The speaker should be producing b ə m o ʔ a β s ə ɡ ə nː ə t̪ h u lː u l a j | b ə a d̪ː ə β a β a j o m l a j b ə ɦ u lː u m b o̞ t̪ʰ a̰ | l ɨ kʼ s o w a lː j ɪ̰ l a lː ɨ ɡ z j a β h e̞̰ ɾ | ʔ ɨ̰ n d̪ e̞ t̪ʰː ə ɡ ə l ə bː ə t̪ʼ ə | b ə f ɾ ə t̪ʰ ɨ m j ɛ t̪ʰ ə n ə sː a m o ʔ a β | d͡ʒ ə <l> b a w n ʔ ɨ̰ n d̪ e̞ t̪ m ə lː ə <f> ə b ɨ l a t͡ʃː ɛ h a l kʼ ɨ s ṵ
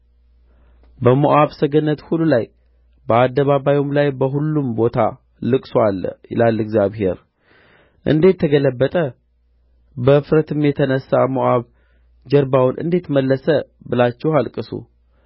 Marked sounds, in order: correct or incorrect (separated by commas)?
incorrect, incorrect